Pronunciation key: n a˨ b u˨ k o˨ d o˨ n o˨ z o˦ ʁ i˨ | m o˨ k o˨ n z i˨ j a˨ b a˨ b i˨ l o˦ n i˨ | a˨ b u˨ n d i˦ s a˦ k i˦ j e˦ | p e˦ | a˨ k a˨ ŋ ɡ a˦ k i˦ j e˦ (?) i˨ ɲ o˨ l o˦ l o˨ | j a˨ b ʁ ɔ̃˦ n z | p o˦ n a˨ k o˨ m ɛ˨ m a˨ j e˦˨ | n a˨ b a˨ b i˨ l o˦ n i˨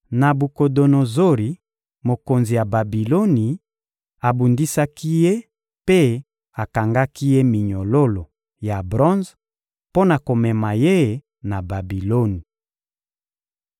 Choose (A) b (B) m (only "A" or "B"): B